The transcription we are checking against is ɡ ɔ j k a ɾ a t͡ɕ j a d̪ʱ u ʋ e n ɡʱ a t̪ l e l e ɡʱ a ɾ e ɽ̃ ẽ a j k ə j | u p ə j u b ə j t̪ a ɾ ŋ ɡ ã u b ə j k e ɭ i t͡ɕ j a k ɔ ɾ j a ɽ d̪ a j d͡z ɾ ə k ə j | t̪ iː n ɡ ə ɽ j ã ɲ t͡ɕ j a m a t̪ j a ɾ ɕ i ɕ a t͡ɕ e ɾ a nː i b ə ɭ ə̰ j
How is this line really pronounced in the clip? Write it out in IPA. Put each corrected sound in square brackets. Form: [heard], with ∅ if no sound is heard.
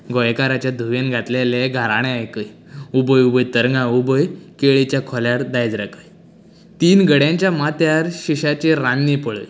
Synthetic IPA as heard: ɡ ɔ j k a ɾ a t͡ɕ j a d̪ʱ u ʋ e n ɡʱ a t̪ l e l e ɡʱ a ɾ [a] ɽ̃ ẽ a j k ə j | u [b] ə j u b ə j t̪ [ə] ɾ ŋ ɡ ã u b ə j k e ɭ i t͡ɕ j a [kʰ] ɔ [l] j a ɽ d̪ a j d͡z ɾ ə k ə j | t̪ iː n ɡ ə ɽ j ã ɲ t͡ɕ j a m a t̪ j a ɾ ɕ i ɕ a t͡ɕ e ɾ a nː i [p] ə ɭ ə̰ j

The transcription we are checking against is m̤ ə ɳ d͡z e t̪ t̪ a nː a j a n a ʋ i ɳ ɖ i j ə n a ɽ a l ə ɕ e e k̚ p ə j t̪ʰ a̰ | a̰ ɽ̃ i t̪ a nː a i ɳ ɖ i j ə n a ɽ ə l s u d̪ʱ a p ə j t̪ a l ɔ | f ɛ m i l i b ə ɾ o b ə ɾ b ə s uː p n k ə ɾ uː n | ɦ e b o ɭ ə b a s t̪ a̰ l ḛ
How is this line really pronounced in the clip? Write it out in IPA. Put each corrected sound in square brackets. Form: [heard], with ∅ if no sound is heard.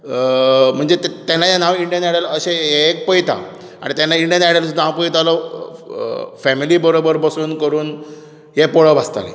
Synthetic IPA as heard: m̤ ə ɳ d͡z e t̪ t̪ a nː a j a n a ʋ i ɳ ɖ i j ə n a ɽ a l ə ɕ e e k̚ p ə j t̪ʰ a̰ | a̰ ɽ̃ i t̪ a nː a i ɳ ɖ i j ə n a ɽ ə l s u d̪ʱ a p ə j t̪ a l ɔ | f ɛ m i l i b ə ɾ o b ə ɾ b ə s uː [∅] n k ə ɾ uː n | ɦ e [p] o ɭ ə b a s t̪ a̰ l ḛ

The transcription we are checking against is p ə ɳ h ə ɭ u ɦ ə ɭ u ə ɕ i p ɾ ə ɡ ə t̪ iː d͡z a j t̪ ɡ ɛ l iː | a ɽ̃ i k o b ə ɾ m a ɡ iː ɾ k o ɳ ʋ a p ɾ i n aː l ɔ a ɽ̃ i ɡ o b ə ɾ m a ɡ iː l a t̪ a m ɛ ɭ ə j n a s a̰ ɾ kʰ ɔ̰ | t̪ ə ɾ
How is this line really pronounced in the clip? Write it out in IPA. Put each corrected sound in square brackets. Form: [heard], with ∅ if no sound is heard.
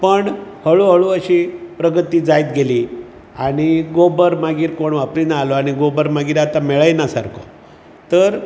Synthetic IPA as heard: p ə ɳ h ə ɭ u ɦ ə ɭ u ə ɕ i p ɾ ə ɡ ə t̪ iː d͡z a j t̪ ɡ [e] l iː | a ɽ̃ i [ɡ] o b ə ɾ m a ɡ iː ɾ k o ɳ ʋ a p ɾ i n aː l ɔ a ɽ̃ i ɡ o b ə ɾ m a ɡ iː [ɾ] a t̪ a m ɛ ɭ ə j n a s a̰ ɾ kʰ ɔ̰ | t̪ ə ɾ

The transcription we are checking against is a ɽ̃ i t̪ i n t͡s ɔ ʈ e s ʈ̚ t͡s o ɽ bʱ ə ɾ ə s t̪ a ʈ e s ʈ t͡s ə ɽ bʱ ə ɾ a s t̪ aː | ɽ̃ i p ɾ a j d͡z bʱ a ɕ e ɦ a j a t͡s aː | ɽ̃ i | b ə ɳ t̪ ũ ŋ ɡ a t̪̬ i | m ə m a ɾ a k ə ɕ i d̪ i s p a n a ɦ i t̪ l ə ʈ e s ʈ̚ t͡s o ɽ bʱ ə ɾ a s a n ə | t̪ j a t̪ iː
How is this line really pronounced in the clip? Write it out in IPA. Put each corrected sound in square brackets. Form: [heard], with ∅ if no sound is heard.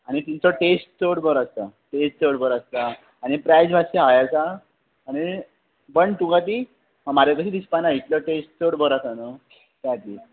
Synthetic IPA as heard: a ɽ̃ i t̪ i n t͡s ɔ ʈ e s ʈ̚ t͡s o ɽ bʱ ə ɾ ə s t̪ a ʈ e s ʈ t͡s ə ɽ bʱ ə ɾ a s t̪ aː | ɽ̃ i p ɾ a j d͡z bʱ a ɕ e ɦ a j a t͡s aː | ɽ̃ i | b ə ɳ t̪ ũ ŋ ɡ a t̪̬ i | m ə m a ɾ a k ə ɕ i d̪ i s p a n a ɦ i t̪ l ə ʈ e s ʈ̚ t͡s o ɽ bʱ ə ɾ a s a n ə | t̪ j a t̪ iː

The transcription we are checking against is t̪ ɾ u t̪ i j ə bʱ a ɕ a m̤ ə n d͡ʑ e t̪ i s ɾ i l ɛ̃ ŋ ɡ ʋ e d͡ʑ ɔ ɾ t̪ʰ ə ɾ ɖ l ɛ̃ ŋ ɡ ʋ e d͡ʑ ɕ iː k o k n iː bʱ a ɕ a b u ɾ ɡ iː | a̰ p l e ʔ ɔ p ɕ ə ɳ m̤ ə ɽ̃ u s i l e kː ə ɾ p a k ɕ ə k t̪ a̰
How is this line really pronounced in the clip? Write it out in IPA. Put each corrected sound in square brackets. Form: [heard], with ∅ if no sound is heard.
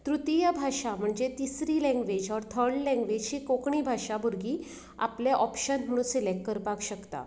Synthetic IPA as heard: t̪ ɾ u t̪ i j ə bʱ a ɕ a m̤ ə [ɳ] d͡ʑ e t̪ i s ɾ i l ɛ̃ ŋ ɡ ʋ e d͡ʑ ɔ ɾ t̪ʰ ə ɾ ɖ l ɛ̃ ŋ ɡ ʋ e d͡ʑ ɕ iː k o k [ɳ] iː bʱ a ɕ a b u ɾ ɡ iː | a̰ p l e ʔ ɔ p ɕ ə [n] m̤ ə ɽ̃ u s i l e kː ə ɾ p a k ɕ ə k t̪ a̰

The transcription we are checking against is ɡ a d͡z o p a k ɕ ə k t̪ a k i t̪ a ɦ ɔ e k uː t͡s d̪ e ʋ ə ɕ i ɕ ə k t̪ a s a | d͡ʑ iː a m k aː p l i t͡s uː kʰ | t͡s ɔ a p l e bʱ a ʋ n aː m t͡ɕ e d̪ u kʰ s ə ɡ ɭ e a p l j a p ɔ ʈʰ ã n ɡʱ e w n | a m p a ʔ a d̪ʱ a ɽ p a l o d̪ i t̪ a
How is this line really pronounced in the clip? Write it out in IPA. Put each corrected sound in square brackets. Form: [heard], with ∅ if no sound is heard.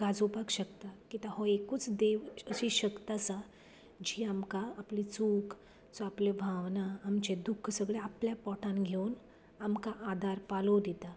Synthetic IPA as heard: ɡ a d͡z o p a k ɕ ə k t̪ a k i t̪ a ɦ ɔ e k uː t͡s d̪ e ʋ ə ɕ i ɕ ə k t̪ a s a | d͡ʑ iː a m k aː p l i t͡s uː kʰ | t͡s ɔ a p l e bʱ a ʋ n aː m t͡ɕ e d̪ u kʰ s ə ɡ ɭ e a p l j a p ɔ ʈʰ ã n ɡʱ e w n | a m [k] a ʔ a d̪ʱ a [ɾ] p a l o d̪ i t̪ a

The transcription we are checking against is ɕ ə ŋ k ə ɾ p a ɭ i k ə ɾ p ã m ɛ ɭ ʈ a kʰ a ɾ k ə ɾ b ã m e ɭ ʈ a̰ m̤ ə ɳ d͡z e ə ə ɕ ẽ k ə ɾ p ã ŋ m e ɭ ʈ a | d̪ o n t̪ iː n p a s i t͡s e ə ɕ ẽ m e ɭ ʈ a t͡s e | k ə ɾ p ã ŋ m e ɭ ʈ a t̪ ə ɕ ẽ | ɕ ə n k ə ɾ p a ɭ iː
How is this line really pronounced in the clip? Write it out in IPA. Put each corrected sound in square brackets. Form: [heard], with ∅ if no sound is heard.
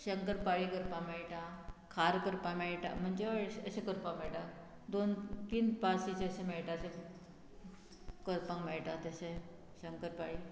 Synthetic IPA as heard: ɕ ə ŋ k ə ɾ p a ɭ i k ə ɾ p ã m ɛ ɭ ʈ a kʰ a ɾ k ə ɾ [p] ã m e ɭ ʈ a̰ m̤ ə ɳ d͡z e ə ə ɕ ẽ k ə ɾ p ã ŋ m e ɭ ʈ a | d̪ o n t̪ iː n p a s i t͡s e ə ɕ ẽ m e ɭ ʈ a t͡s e | k ə ɾ p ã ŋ m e ɭ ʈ a t̪ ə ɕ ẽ | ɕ ə [ŋ] k ə ɾ p a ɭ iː

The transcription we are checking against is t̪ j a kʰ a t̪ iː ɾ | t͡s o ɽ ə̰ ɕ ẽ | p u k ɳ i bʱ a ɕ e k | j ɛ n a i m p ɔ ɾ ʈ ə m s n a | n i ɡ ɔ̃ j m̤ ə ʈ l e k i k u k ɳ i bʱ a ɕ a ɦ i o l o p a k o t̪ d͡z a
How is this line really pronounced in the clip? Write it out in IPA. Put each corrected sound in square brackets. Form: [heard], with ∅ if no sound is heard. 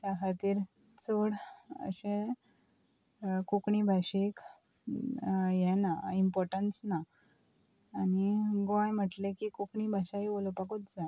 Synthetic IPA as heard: t̪ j a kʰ a t̪ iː ɾ | t͡s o ɽ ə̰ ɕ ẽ | [k] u k ɳ i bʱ a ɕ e k | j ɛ n a i m p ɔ ɾ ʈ ə [n] s n a | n i ɡ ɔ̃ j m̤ ə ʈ l e k i k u k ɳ i bʱ a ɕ a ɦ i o l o p a k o t̪ d͡z a

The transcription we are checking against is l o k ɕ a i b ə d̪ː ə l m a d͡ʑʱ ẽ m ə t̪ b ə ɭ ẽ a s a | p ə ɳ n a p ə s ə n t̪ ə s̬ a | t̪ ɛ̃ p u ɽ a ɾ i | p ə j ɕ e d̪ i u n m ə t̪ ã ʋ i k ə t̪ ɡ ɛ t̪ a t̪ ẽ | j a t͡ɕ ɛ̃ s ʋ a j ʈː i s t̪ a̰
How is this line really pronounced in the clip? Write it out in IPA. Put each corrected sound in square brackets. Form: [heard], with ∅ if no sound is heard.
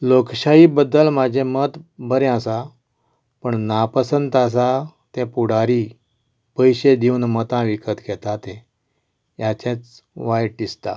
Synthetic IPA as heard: l o k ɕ a i b ə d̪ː ə l m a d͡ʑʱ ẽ m ə t̪ b ə [ɾ] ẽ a s a | p ə ɳ n a p ə s ə n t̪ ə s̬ a | t̪ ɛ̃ p u ɽ a ɾ i | p ə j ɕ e d̪ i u n m ə t̪ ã ʋ i k ə t̪ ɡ ɛ t̪ a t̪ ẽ | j a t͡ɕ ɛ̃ [t͡s] ʋ a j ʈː i s t̪ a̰

